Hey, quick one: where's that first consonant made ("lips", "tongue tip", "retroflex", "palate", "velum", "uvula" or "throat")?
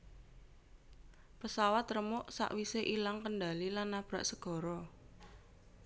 lips